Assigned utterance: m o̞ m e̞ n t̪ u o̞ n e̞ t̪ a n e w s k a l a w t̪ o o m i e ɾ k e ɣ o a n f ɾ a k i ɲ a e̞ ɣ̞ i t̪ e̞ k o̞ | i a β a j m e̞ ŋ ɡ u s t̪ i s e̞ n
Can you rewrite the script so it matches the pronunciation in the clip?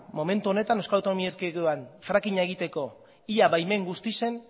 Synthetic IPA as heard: m o̞ m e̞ n t̪ u o̞ n e̞ t̪ a n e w s k a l a w t̪ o o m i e ɾ k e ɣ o a n f ɾ a k i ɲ a e̞ ɣ̞ i t̪ e̞ k o̞ | i a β a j m e̞ ŋ ɡ u s t̪ i s e̞ n